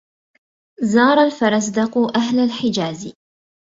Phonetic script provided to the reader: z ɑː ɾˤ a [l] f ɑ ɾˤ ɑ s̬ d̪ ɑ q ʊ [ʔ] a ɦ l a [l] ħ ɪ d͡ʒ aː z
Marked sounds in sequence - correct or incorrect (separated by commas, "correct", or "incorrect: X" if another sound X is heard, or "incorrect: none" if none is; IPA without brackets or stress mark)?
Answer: correct, correct, correct